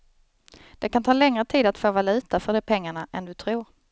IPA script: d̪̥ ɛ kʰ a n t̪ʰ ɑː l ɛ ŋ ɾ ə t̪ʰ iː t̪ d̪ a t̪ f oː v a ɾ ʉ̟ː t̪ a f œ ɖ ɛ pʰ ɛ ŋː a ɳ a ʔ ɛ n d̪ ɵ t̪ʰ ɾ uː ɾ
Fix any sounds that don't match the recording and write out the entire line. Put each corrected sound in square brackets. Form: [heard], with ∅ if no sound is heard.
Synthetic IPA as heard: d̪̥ ɛ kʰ a n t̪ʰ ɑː l ɛ ŋ ɾ ə t̪ʰ iː [∅] d̪ a t̪ f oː v a [l] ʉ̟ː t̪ a f œ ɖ ɛ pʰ ɛ ŋː a ɳ a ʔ ɛ n d̪ ɵ t̪ʰ ɾ uː ɾ